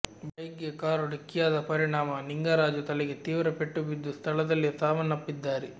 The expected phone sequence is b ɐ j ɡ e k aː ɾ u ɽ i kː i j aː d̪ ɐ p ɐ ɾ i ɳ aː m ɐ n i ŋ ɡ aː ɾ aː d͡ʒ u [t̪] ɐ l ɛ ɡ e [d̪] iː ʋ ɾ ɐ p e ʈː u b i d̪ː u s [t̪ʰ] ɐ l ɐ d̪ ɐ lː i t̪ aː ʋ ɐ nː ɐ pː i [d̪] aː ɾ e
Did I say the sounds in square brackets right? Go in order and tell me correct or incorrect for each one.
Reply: correct, incorrect: t̪, correct, incorrect: d̪ː

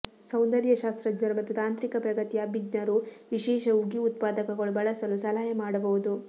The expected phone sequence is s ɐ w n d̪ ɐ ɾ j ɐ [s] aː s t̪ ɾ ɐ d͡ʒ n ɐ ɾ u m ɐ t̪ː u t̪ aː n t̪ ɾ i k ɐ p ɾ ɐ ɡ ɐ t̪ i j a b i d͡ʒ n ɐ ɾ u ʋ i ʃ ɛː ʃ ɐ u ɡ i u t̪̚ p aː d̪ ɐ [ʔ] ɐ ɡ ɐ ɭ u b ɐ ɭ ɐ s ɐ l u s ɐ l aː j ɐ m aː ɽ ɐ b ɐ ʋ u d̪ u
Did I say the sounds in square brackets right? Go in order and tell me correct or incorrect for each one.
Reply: incorrect: ʃ, incorrect: k

